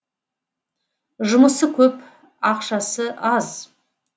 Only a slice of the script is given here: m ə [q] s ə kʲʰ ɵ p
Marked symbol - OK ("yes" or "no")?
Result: no